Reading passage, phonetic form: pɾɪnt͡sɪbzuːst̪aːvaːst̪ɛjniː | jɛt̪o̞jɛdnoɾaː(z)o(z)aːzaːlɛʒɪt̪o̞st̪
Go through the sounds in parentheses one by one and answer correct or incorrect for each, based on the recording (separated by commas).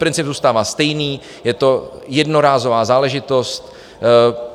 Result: correct, incorrect